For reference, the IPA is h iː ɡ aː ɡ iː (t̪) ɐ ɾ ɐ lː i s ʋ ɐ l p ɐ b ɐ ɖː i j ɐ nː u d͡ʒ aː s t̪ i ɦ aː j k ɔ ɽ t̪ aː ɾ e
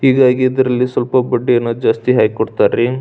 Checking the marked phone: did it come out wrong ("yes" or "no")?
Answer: yes